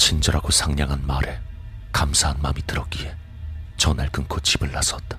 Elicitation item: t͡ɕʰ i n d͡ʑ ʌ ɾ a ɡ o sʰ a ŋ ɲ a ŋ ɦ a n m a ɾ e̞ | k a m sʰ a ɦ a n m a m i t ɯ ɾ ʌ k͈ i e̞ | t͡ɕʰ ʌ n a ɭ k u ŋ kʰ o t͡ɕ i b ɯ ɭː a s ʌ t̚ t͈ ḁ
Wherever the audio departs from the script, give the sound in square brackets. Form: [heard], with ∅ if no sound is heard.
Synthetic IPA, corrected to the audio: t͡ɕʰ i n d͡ʑ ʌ ɾ a ɡ o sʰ a ŋ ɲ a ŋ ɦ a n m a ɾ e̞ | k a m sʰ a ɦ a n m a m i t ɯ ɾ ʌ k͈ i e̞ | [t͡ɕ] ʌ n a ɭ k [ɯ] ŋ kʰ o t͡ɕ i b ɯ ɭː a s ʌ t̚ t͈ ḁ